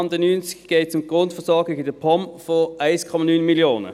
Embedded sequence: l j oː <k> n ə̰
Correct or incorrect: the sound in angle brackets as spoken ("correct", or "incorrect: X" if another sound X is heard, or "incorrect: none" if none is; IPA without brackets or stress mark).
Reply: incorrect: none